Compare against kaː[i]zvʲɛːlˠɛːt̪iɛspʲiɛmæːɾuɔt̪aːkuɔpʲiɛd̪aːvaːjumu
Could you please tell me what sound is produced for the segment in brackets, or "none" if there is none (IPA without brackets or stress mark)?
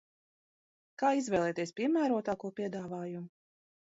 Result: i